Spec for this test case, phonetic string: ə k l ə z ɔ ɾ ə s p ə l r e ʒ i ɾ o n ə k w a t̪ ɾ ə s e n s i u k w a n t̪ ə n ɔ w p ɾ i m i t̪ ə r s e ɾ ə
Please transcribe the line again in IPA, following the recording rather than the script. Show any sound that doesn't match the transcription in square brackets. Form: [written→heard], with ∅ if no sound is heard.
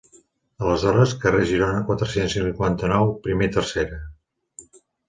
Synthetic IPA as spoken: ə [k→∅] l ə z ɔ ɾ ə s [p→k] ə [l→∅] r e ʒ i ɾ o n ə k w a t̪ ɾ ə s e n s i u k w a n t̪ ə n ɔ w p ɾ i m [i→e] t̪ ə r s e ɾ ə

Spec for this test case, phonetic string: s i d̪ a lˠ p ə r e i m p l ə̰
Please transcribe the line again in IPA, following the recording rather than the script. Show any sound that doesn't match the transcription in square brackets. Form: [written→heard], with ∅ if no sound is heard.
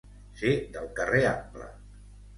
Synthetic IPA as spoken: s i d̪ [a→ə] lˠ [p→k] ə r e [i→a] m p l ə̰

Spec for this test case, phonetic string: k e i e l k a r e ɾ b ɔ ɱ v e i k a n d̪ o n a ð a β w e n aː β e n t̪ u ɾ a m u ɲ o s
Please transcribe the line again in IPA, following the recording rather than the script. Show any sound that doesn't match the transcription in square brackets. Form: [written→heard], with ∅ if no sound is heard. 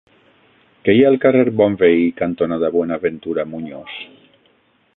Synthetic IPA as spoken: k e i [e→a] l k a r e ɾ b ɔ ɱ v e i k a n [d̪→t̪] o n a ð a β w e n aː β e n t̪ u ɾ a m u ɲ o s

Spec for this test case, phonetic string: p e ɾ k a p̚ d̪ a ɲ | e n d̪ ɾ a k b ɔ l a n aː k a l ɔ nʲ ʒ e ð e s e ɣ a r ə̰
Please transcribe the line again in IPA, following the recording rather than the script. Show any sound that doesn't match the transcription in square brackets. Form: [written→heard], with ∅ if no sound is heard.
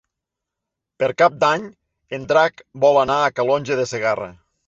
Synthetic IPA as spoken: p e ɾ k a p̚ d̪ a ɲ | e n d̪ ɾ a k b ɔ l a n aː k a l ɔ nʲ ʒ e ð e s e ɣ a r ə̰

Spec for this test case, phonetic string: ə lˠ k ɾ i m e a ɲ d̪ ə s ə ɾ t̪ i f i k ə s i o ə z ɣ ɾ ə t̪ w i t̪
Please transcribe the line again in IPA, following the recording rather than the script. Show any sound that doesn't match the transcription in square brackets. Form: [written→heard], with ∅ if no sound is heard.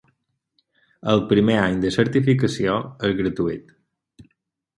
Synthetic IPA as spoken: ə lˠ [k→p] ɾ i m e a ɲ d̪ ə s ə ɾ t̪ i f i k ə s i o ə z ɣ ɾ ə t̪ [w→u] i t̪

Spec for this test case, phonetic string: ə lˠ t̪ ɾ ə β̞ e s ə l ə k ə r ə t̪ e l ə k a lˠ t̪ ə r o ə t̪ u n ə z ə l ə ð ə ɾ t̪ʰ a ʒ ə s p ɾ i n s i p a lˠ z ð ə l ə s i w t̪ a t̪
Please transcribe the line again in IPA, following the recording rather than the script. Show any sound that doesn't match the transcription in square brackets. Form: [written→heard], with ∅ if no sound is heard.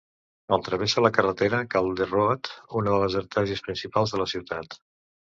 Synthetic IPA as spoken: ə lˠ t̪ ɾ ə β̞ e s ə l ə k ə r ə t̪ e [l→ɾ] ə k a lˠ [t̪→d̪] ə r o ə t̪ u n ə [z→ð] ə l ə [ð→z] ə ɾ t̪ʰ a ʒ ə s p ɾ i n s i p a lˠ z ð ə l ə s i w t̪ a t̪

